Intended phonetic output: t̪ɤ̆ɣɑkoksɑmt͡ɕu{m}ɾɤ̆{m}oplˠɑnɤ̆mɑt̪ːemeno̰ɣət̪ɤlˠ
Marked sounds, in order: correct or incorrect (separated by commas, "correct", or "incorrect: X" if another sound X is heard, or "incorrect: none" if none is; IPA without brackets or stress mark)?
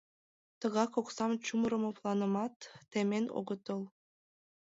correct, correct